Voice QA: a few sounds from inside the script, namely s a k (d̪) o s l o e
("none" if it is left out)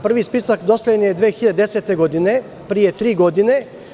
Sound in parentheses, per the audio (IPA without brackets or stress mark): d̪